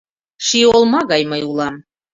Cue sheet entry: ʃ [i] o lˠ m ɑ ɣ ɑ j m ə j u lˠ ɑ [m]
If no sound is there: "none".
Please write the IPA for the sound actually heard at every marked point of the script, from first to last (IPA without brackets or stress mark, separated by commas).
i, m